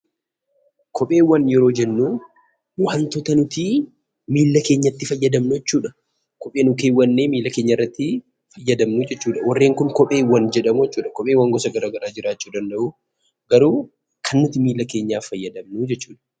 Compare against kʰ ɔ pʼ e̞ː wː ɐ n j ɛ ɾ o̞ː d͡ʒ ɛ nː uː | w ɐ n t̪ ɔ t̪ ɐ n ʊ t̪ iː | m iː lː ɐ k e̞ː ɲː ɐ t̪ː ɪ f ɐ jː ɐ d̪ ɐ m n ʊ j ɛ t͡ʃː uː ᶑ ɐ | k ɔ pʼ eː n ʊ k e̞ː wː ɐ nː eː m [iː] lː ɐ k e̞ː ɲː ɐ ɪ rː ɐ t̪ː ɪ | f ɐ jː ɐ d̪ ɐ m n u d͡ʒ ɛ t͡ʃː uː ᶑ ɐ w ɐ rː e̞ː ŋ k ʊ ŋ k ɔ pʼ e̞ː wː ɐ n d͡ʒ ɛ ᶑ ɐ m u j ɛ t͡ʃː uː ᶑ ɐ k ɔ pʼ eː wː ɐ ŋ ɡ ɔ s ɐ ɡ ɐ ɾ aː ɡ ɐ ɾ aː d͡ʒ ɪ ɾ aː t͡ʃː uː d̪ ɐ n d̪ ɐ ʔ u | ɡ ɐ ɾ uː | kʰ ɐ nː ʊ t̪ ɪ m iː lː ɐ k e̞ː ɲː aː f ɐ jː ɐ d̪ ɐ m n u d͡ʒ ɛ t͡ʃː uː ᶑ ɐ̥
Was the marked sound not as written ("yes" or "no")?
no